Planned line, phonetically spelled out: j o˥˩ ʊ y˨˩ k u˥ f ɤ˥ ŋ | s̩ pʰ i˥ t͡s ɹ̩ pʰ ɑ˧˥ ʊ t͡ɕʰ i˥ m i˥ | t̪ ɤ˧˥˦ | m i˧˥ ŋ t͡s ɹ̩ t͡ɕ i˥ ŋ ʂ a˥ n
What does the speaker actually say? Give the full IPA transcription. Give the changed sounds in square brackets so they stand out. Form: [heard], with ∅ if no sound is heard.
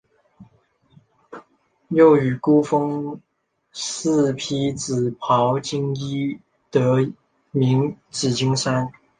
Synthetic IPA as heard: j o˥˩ ʊ y˨˩ k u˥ f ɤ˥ ŋ | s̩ pʰ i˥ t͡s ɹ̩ pʰ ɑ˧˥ ʊ [t͡ɕ] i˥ [ŋ] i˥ | t̪ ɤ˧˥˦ | m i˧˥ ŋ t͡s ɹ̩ t͡ɕ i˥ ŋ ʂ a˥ n